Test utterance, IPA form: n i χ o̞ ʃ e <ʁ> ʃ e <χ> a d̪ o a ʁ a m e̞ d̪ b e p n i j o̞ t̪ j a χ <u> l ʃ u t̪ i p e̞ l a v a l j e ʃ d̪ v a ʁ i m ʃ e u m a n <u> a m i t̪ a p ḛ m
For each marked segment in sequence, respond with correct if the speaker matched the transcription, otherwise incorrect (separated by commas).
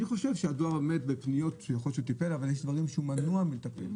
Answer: incorrect, incorrect, incorrect, correct